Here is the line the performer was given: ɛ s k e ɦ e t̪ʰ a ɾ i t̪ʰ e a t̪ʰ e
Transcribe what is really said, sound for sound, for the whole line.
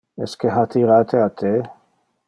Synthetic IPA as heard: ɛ s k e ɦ a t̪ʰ i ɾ a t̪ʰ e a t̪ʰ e

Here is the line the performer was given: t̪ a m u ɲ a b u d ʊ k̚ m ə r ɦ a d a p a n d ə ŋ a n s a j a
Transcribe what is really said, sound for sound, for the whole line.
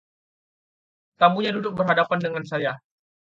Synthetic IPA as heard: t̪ a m u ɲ a d u d ʊ k̚ b ə r ɦ a d a p a n d ə ŋ a n s a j a

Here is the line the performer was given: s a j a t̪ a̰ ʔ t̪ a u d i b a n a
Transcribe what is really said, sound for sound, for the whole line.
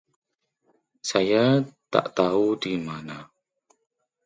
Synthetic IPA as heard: s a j a t̪ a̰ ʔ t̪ a u d i m a n a

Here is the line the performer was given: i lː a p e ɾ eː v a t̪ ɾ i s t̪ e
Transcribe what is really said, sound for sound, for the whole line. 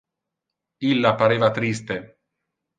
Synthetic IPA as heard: i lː a p a ɾ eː v a t̪ ɾ i s t̪ e

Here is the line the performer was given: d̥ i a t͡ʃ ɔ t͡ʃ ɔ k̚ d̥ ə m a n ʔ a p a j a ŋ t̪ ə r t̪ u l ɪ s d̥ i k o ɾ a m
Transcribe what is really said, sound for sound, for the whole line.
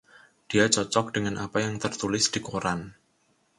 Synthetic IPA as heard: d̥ i a t͡ʃ ɔ t͡ʃ ɔ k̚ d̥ ə ŋ a n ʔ a p a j a ŋ t̪ ə r t̪ u l ɪ s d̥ i k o ɾ a n

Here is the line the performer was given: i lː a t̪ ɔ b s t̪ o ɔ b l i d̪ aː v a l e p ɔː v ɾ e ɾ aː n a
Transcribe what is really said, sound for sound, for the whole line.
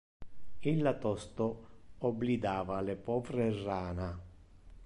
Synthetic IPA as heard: i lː a t̪ ɔ s t̪ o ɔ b l i d̪ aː v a l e p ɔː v ɾ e r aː n a

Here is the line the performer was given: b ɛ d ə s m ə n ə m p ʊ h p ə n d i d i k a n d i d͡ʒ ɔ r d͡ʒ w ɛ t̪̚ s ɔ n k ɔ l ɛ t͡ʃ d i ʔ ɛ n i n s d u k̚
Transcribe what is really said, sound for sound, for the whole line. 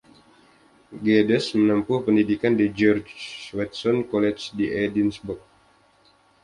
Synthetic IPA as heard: ɡ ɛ d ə s m ə n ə m p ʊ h p ə n d i d i k a n d i d͡ʒ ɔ r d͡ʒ w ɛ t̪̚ s ɔ n k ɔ l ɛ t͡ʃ d i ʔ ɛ d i n s b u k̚

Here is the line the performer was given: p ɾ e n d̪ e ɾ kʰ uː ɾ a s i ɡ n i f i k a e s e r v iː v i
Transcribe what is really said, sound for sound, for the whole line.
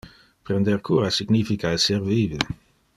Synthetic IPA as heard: p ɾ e n d̪ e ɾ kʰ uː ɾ a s i ɡ n i f i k a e s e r v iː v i

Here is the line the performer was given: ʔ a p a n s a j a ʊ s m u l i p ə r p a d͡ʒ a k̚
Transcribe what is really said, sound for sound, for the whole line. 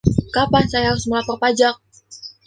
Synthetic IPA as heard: k a p a n s a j a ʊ s m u l a p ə r p a d͡ʒ a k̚

